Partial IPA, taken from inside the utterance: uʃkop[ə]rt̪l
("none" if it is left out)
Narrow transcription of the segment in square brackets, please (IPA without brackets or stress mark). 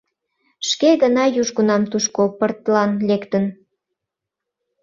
ə